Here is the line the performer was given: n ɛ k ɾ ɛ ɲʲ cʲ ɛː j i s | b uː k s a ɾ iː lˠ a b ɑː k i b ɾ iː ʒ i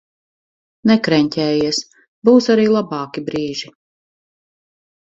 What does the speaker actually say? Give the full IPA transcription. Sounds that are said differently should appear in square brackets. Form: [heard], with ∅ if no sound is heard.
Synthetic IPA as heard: n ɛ k ɾ ɛ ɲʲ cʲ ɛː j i s | b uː [∅] s a ɾ iː lˠ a b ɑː k i b ɾ iː ʒ i

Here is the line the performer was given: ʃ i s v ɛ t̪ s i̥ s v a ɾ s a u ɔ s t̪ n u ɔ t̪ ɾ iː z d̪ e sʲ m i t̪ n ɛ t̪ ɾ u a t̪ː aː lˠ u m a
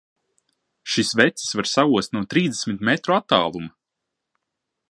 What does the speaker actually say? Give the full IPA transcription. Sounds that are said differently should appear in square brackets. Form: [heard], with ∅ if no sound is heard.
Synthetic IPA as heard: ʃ i s v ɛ t̪ s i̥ s v a ɾ s a u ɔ s t̪ n u ɔ t̪ ɾ iː z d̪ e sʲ m i t̪ [m] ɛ t̪ ɾ u a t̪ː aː lˠ u m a

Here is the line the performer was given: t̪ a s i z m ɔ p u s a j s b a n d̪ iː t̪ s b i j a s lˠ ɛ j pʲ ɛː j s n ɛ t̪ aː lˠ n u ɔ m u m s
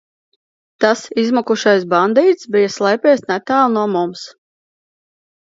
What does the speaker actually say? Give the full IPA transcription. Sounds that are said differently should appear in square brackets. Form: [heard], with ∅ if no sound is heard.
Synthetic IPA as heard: t̪ a s i z m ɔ [k] u [ʃ] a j s b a n d̪ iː t̪ s b i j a s lˠ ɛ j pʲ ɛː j s n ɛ t̪ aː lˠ n u ɔ m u m s

